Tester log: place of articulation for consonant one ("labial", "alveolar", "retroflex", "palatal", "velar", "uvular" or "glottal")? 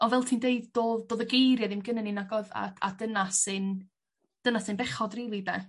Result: labial